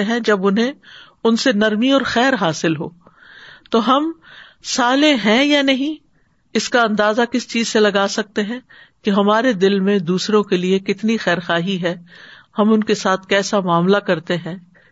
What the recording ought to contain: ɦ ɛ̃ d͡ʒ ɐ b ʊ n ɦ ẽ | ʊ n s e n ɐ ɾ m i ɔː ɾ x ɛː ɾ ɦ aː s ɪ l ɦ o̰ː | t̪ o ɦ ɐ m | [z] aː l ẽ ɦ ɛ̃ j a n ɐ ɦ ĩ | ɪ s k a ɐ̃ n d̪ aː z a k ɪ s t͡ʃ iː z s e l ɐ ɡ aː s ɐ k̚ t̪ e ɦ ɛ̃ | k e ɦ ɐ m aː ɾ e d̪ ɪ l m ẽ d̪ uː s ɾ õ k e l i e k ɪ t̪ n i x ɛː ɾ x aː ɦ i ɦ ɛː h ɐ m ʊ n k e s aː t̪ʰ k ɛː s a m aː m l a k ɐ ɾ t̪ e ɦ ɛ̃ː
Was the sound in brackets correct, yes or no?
no